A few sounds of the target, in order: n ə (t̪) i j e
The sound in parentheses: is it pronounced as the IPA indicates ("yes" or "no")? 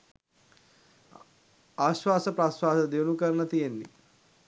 yes